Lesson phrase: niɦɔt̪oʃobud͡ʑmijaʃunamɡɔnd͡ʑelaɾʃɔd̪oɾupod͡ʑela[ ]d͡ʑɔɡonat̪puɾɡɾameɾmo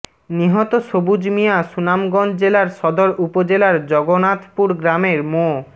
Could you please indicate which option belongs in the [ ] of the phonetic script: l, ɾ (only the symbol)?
ɾ